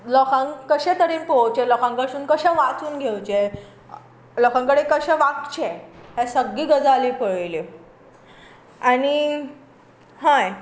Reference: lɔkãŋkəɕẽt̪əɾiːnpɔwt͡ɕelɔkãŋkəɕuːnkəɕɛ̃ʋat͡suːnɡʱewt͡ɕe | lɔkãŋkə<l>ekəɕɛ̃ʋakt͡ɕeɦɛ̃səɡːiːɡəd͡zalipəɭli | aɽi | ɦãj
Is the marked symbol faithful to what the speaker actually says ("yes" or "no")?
no